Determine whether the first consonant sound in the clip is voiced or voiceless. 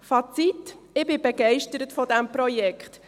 voiceless